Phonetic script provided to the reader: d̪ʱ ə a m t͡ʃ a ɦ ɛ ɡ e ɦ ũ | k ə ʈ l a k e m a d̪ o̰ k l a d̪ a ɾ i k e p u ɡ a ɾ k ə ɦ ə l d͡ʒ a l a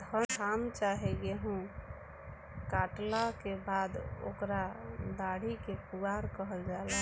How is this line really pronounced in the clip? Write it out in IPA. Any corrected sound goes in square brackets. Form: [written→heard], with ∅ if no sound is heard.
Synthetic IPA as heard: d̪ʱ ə a m t͡ʃ a ɦ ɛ ɡ e ɦ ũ | k [ə→a] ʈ l a k e [m→b] a d̪ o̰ k [l→ɾ] a d̪ a [ɾ→ɽ] i k e p u ɡ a ɾ k ə ɦ ə l d͡ʒ a l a